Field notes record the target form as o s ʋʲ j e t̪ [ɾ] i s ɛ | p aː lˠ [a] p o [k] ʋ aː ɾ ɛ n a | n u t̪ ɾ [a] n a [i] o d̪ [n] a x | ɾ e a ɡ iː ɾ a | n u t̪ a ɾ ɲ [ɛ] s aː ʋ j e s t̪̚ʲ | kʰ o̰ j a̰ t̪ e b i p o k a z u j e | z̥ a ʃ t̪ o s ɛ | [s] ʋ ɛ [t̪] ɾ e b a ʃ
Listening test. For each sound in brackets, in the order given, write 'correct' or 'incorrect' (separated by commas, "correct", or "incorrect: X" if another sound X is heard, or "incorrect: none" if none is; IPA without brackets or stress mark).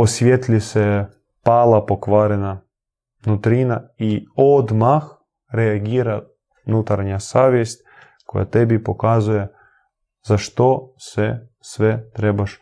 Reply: incorrect: l, correct, correct, incorrect: i, correct, incorrect: m, incorrect: a, correct, correct